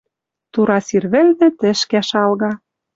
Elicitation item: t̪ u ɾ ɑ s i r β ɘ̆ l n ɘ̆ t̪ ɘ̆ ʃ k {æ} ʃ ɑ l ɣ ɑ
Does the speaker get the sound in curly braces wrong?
no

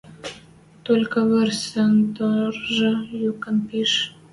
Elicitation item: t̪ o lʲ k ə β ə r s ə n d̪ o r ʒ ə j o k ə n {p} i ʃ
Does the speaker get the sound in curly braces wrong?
no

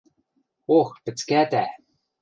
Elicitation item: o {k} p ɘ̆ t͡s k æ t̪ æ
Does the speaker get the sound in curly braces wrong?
yes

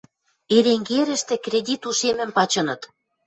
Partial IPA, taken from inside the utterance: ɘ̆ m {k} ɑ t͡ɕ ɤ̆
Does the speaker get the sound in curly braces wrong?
yes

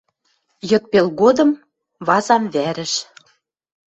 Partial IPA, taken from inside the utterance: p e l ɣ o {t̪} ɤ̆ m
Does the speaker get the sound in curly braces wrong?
yes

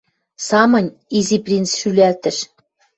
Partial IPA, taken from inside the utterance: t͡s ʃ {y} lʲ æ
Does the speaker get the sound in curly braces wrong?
no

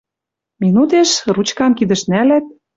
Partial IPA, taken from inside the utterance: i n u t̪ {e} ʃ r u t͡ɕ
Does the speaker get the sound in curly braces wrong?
no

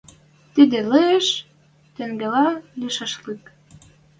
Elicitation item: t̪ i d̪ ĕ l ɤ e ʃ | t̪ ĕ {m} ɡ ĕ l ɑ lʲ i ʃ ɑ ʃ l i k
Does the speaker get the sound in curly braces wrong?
yes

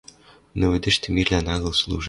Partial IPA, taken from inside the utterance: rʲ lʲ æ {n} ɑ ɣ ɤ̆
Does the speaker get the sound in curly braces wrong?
no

